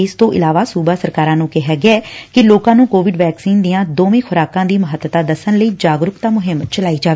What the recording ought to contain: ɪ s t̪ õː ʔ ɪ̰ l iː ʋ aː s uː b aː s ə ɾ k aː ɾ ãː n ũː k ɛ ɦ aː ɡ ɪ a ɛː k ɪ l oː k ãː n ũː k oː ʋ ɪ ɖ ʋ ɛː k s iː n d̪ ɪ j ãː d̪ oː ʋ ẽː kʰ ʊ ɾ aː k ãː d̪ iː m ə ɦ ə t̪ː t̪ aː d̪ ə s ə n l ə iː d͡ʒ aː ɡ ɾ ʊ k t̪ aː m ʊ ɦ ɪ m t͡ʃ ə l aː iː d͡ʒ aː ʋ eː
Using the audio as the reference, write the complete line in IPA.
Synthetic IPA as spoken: ɪ s t̪ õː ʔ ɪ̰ l aː ʋ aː s uː b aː s ə ɾ k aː ɾ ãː n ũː k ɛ ɦ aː ɡ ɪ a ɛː k ɪ l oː k ãː n ũː k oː ʋ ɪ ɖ ʋ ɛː k s iː n d̪ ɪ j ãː d̪ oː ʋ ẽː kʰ ʊ ɾ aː k ãː d̪ iː m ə ɦ ə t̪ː t̪ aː d̪ ə s ə n l ə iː d͡ʒ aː ɡ ɾ ʊ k t̪ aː m ʊ ɦ ɪ m t͡ʃ ə l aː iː d͡ʒ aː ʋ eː

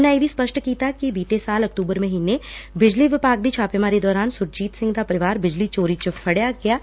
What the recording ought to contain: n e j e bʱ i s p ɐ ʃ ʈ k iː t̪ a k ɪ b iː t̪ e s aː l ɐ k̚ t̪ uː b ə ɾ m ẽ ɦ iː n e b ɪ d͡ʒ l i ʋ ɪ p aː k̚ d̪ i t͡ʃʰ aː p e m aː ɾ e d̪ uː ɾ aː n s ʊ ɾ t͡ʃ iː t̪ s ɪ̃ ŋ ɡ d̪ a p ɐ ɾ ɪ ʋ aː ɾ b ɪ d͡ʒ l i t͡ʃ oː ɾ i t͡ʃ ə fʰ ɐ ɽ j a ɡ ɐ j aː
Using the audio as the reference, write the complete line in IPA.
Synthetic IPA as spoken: n a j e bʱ i s p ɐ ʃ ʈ k iː t̪ a k i b iː t̪ e s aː l ɐ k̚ t̪ uː b ə ɾ m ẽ ɦ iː n e b ɪ d͡ʒ l i ʋ ɪ p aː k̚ d̪ i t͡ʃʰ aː p e m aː ɾ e d̪ ɔː ɾ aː n s ʊ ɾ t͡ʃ iː t̪ s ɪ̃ ŋ ɡ d̪ a p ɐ ɾ ɪ ʋ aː ɾ b ɪ d͡ʒ l i t͡ʃ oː ɾ i t͡ʃ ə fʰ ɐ ɽ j a ɡ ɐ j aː

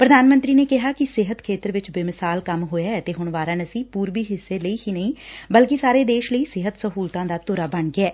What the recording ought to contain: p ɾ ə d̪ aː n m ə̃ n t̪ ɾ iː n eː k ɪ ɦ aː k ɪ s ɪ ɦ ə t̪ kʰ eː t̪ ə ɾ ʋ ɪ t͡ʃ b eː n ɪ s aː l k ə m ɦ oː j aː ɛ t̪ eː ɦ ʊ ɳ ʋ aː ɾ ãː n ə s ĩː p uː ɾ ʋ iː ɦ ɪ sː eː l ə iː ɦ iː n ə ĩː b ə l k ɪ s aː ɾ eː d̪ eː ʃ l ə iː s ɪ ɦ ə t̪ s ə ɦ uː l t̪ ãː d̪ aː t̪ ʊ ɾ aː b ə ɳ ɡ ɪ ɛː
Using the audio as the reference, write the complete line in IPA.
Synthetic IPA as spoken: p ɾ ə d̪ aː n m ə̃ n t̪ ɾ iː n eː k ɪ ɦ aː k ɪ s ɪ ɦ ə t̪ kʰ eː t̪ ə ɾ ʋ ɪ t͡ʃ b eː m ɪ s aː l k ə m ɦ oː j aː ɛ t̪ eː ɦ ʊ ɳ ʋ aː ɾ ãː n ə s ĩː p uː ɾ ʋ iː ɦ ɪ sː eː l ə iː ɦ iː n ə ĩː b ə l k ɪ s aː ɾ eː d̪ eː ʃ l ə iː s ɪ ɦ ə t̪ s ə ɦ uː l t̪ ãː d̪ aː t̪ ʊ ɾ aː b ə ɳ ɡ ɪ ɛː

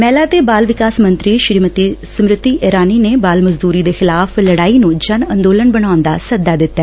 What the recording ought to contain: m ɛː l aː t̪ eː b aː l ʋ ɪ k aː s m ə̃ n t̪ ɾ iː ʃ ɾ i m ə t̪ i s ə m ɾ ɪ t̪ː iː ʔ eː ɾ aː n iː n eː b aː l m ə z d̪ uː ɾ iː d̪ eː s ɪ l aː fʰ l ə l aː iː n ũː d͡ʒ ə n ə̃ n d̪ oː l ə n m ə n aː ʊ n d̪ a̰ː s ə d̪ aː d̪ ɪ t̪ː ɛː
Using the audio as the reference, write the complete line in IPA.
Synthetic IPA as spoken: m ɛː l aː t̪ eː b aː l ʋ ɪ k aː s m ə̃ n t̪ ɾ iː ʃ ɾ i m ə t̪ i s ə m ɾ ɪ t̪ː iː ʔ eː ɾ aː n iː n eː b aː l m ə z d̪ uː ɾ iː d̪ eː x ɪ l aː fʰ l ə ɽ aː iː n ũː d͡ʒ ə n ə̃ n d̪ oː l ə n b ə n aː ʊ n d̪ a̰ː s ə d̪ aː d̪ ɪ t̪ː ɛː

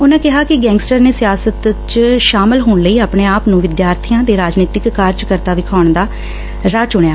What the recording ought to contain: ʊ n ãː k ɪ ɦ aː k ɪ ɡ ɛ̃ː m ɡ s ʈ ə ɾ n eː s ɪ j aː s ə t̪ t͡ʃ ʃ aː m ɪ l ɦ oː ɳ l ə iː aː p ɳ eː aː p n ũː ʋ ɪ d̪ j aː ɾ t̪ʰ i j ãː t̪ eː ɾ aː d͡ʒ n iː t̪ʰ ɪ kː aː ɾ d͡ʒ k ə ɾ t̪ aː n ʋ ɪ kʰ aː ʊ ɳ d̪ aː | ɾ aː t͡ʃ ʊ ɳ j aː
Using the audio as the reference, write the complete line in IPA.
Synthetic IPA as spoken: ʊ n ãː k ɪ ɦ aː k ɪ ɡ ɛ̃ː ŋ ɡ s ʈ ə ɾ n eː s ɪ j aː s ə t̪ t͡ʃ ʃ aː m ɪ l ɦ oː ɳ l ə iː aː p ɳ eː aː p n ũː ʋ ɪ d̪ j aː ɾ t̪ʰ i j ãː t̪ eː ɾ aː d͡ʒ n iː t̪ ɪ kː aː ɾ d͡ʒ k ə ɾ t̪ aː ʋ ɪ kʰ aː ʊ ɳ d̪ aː | ɾ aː t͡ʃ ʊ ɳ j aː

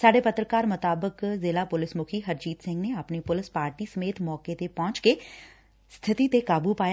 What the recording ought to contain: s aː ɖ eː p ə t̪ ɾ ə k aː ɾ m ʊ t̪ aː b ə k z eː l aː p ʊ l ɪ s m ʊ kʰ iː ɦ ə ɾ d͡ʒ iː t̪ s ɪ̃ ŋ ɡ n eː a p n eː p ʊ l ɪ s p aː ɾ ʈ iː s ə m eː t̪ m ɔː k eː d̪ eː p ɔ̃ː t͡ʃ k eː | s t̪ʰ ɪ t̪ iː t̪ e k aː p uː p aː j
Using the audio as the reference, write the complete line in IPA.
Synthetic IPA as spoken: s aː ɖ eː p ə t̪ ɾ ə k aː ɾ m ʊ t̪ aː b ə k z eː l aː p ʊ l ɪ s m ʊ kʰ iː ɦ ə ɾ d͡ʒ iː t̪ s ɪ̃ ŋ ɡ n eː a p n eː p ʊ l ɪ s p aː ɾ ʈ iː s ə m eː t̪ m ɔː k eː t̪ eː p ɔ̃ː t͡ʃ k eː | s t̪ʰ ɪ t̪ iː t̪ e k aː b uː p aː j

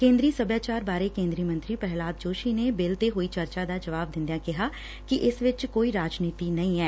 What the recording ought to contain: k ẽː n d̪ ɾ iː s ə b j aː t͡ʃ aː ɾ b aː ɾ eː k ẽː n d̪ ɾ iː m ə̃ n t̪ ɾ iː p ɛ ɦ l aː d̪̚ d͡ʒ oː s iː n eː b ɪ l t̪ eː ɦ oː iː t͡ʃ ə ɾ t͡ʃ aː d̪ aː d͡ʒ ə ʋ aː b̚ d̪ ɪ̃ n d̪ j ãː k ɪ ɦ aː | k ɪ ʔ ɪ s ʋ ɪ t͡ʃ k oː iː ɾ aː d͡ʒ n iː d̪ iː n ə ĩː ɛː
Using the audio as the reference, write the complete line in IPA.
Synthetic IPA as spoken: k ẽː n d̪ ɾ iː s ə b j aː t͡ʃ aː ɾ b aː ɾ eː k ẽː n d̪ ɾ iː m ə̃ n t̪ ɾ iː p ɛ ɦ l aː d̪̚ d͡ʒ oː ʃ iː n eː b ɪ l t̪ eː ɦ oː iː t͡ʃ ə ɾ t͡ʃ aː d̪ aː d͡ʒ ə ʋ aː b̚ d̪ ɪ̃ n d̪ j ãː k ɪ ɦ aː | k ɪ ʔ ɪ s ʋ ɪ t͡ʃ k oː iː ɾ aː d͡ʒ n iː t̪ iː n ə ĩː ɛː

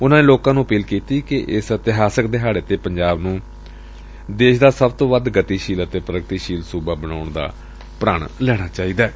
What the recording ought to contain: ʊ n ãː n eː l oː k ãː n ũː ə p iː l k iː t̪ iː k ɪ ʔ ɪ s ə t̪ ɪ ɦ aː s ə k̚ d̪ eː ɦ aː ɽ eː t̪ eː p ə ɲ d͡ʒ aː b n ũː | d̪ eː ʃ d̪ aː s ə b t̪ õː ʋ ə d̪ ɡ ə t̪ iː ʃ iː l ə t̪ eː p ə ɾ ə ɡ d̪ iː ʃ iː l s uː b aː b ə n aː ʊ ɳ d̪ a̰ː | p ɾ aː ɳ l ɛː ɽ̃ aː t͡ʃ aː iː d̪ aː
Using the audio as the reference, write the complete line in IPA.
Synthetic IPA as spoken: ʊ n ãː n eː l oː k ãː n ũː ə p iː l k iː t̪ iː k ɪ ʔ ɪ s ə t̪ ɪ ɦ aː s ə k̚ d̪ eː ɦ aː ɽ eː t̪ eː p ə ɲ d͡ʒ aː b n ũː | d̪ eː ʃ d̪ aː s ə b t̪ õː ʋ ə d̪ ɡ ə t̪ iː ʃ iː l ə t̪ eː p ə ɾ ə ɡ t̪ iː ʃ iː l s uː b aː b ə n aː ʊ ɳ d̪ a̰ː | p ɾ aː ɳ l ɛː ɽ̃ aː t͡ʃ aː iː d̪ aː

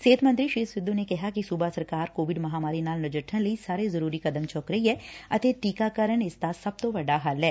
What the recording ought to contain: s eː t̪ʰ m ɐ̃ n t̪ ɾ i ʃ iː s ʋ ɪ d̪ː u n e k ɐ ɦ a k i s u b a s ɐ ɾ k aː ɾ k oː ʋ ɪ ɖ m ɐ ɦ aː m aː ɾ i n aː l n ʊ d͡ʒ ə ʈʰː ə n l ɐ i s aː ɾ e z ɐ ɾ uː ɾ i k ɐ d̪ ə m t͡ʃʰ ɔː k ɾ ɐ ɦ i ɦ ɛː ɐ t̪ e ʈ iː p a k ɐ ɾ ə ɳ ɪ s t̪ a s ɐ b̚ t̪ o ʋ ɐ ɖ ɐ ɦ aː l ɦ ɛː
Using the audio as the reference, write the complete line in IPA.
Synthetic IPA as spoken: s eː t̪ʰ m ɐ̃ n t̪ ɾ i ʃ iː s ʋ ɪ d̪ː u n e k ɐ ɦ a k i s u b a s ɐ ɾ k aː ɾ k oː ʋ ɪ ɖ m ɐ ɦ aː m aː ɾ i n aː l n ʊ d͡ʒ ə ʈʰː ə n l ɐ i s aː ɾ e z ɐ ɾ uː ɾ i k ɐ d̪ ə m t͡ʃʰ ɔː k ɾ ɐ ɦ i ɦ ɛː ɐ t̪ e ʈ iː k a k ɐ ɾ ə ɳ ɪ s t̪ a s ɐ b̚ t̪ o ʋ ɐ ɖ a ɦ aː l ɦ ɛː

